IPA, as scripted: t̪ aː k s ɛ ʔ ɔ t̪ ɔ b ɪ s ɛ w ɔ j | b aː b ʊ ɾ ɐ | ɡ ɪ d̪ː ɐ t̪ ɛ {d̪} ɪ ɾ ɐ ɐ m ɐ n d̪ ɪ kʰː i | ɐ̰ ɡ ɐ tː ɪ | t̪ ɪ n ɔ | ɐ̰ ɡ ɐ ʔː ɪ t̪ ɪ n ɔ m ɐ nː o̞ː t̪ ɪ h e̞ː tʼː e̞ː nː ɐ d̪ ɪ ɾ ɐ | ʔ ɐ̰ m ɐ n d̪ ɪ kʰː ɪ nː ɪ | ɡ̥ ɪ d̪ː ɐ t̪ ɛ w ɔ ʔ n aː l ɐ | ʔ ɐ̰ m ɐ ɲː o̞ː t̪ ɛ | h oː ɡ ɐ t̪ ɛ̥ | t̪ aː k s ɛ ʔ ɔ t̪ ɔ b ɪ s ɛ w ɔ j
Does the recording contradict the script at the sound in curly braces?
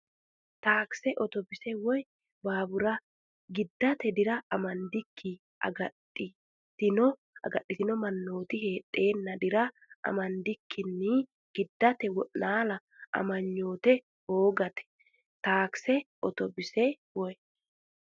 no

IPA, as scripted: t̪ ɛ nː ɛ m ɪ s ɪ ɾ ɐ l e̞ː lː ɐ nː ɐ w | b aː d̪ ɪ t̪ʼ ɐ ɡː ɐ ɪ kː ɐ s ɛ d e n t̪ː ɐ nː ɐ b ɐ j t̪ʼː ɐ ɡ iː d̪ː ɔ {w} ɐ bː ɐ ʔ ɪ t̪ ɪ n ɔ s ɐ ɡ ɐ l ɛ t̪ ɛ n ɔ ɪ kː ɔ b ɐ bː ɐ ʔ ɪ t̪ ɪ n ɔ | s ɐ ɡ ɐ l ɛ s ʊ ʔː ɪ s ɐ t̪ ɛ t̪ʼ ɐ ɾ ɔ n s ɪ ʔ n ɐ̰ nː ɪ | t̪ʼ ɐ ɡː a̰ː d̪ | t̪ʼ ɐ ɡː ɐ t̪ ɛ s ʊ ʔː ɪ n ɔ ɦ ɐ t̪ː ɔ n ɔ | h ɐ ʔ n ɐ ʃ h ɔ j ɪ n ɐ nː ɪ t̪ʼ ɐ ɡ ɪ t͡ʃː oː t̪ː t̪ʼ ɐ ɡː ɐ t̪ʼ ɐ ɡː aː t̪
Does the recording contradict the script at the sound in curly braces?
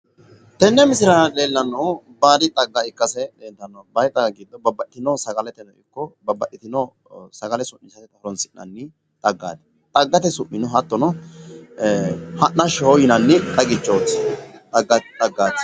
yes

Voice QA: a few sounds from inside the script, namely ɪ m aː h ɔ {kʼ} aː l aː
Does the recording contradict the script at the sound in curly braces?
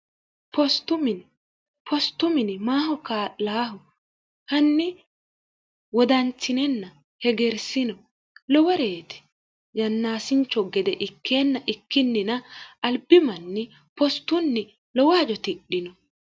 yes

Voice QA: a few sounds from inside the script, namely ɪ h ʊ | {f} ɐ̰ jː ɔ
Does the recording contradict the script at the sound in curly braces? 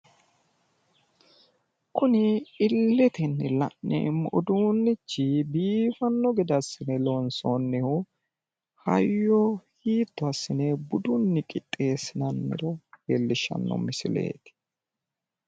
yes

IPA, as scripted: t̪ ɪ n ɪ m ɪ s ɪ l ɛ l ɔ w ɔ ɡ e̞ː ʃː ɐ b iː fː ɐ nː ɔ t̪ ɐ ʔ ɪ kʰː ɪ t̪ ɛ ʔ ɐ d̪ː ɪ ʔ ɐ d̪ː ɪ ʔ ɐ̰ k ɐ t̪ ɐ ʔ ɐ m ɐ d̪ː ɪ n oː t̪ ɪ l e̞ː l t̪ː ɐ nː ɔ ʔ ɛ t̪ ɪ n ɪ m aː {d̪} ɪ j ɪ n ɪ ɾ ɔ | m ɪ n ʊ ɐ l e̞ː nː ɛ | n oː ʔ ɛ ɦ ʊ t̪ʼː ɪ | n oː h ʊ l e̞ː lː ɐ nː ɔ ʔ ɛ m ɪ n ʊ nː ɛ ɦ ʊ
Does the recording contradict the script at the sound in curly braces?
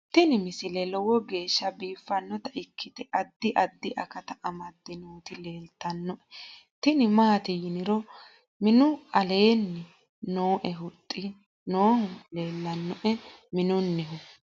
yes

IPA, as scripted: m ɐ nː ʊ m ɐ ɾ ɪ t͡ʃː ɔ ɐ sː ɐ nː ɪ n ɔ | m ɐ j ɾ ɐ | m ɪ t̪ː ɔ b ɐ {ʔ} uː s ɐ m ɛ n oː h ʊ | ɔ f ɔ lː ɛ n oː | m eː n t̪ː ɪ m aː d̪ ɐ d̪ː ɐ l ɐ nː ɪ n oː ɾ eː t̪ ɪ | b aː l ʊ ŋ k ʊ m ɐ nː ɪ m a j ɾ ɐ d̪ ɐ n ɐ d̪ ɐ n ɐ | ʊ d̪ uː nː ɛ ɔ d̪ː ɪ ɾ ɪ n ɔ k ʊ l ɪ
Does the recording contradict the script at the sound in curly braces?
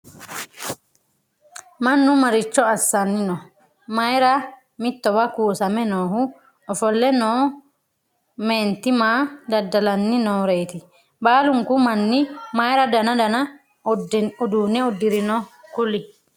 yes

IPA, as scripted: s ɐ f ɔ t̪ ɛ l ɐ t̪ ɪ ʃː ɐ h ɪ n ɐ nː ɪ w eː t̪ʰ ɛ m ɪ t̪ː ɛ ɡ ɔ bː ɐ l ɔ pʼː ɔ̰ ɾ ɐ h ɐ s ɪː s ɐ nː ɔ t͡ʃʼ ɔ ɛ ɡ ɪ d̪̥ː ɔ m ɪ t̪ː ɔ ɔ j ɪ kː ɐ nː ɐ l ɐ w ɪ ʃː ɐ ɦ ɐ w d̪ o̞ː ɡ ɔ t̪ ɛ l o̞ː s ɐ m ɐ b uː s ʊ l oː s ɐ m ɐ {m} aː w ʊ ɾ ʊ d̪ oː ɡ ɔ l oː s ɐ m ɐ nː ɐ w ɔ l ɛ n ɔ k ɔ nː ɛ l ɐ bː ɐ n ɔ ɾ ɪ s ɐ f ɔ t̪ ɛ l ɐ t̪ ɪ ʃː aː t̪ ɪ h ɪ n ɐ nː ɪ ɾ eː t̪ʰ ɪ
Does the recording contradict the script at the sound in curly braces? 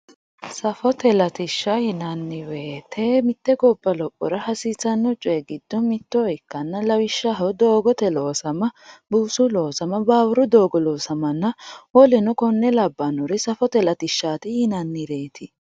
yes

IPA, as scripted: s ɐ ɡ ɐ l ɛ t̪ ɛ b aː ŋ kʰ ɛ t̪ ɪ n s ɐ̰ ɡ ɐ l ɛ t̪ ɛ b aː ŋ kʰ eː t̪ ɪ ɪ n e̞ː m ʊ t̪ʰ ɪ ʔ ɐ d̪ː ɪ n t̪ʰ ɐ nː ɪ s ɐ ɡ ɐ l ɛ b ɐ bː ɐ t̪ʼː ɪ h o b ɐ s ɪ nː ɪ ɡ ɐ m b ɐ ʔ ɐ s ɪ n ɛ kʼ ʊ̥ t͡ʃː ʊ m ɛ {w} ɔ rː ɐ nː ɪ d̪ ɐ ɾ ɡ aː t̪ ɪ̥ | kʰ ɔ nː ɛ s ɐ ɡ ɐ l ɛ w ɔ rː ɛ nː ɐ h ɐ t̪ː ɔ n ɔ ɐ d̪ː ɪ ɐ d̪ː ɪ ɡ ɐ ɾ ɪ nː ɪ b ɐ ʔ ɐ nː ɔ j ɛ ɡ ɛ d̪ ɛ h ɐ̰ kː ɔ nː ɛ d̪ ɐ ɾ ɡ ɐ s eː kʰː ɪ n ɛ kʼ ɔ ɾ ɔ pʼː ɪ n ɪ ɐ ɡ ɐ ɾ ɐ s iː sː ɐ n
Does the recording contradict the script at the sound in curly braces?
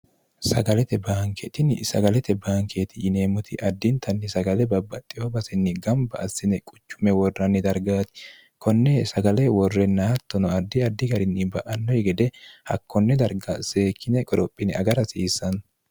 no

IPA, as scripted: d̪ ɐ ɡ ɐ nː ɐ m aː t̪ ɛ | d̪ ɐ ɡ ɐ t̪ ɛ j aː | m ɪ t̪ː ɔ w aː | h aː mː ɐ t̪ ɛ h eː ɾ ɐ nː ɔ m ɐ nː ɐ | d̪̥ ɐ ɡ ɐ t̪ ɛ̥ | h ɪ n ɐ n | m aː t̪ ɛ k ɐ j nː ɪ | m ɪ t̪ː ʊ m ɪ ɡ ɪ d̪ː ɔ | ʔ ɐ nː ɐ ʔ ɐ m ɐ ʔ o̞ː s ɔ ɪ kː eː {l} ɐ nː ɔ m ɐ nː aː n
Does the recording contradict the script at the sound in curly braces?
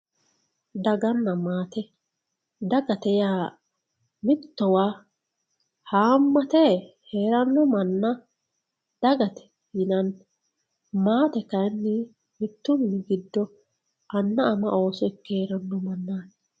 yes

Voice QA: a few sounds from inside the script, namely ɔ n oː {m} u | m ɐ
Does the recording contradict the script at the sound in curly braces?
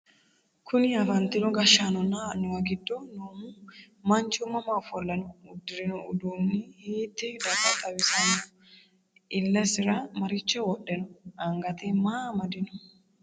no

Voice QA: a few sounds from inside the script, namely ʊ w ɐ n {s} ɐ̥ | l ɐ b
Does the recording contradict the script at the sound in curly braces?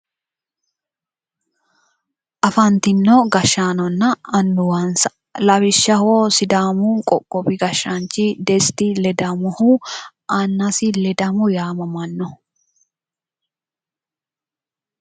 no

